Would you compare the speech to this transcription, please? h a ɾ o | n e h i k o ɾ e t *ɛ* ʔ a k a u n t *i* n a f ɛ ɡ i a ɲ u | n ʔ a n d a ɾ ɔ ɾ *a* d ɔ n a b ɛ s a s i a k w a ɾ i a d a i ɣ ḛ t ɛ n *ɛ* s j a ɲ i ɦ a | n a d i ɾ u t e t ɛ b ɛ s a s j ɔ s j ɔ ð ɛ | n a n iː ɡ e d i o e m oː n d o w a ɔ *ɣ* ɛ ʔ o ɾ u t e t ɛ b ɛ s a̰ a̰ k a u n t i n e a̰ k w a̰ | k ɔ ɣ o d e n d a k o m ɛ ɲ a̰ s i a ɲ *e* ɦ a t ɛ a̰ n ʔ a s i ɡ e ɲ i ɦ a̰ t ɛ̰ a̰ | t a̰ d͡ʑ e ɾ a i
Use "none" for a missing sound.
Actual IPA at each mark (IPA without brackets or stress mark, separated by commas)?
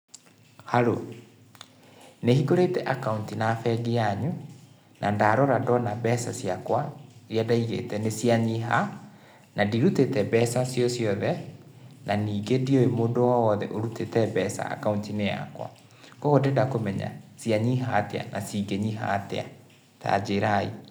ɛ, i, a, e, ð, i